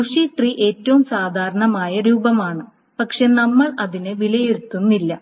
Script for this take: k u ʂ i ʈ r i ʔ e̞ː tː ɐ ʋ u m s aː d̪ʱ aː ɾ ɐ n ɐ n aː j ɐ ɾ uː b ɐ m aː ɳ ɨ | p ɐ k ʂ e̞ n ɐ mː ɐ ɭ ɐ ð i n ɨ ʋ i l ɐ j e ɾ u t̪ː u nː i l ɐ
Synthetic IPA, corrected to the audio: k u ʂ i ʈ r i ʔ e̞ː tː ɐ ʋ u m s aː d̪ʱ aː ɾ ɐ ɳ ɐ m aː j ɐ ɾ uː b ɐ m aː ɳ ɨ | p ɐ k ʂ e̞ n ɐ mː ɐ ɭ ɐ ð i n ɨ ʋ i l ɐ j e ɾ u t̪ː u nː i lː ɐ